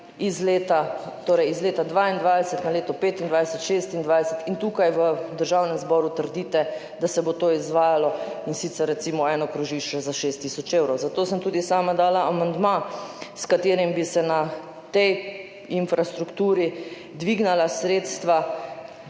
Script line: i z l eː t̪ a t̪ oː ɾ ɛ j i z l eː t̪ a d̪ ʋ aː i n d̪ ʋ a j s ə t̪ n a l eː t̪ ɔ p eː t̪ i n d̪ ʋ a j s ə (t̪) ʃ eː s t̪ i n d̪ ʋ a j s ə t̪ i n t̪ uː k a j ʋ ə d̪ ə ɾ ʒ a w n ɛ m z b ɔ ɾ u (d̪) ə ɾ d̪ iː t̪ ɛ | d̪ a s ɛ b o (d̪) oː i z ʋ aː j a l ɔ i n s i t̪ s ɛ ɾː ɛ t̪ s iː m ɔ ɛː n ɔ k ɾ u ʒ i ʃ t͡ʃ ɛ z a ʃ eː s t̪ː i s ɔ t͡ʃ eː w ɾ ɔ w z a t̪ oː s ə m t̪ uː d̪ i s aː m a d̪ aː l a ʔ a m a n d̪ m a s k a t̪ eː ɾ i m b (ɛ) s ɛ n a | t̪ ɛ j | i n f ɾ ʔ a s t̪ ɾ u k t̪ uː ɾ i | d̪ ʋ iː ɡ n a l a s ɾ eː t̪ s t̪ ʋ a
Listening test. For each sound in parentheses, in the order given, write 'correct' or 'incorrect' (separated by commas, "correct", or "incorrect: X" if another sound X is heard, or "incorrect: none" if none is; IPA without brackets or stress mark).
correct, incorrect: t̪, incorrect: t̪, incorrect: i